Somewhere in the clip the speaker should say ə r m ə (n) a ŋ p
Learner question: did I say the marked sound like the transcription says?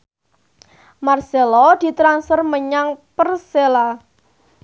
no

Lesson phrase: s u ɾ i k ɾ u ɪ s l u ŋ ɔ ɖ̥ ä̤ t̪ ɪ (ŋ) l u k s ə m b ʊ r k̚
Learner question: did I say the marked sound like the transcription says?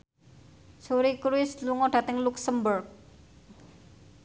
yes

